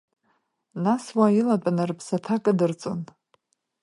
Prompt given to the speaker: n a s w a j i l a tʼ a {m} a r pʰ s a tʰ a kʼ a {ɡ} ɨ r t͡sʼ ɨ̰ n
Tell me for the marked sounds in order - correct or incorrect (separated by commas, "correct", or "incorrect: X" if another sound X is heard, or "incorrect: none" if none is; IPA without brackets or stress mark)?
incorrect: n, incorrect: d